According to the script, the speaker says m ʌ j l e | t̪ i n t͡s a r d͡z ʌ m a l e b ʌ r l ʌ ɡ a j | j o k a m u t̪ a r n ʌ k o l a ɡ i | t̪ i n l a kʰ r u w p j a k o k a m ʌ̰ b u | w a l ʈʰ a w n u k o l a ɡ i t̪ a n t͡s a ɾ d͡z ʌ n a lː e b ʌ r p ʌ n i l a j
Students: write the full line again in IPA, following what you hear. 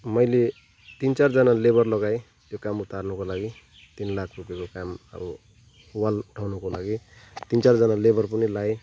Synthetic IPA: m ʌ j l e | t̪ i n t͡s a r d͡z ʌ n a l e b ʌ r l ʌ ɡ a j | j o k a m u t̪ a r n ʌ k o l a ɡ i | t̪ i n l a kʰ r u p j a k o k a m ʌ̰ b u | w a l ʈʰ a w n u k o l a ɡ i t̪ i n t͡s a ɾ d͡z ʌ n a l e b ʌ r p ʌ n i l a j